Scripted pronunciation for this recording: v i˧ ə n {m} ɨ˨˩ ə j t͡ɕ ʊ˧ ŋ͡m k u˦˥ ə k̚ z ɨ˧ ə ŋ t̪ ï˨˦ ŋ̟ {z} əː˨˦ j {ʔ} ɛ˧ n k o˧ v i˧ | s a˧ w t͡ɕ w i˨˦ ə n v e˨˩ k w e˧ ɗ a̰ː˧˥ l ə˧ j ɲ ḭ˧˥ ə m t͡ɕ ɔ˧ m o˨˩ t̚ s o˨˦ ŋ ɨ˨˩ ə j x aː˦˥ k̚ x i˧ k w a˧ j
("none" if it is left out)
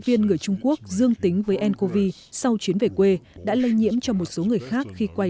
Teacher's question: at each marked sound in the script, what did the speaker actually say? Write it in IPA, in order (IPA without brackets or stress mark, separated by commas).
ŋ, v, ʔ